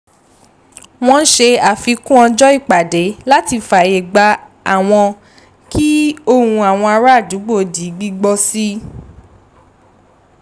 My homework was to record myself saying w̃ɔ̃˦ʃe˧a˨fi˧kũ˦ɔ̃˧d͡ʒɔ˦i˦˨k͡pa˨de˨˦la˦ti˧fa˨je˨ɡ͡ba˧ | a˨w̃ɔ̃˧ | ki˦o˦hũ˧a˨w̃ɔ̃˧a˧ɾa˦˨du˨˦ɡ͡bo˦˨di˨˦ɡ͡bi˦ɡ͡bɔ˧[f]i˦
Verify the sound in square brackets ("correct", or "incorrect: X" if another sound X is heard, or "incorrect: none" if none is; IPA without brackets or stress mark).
incorrect: s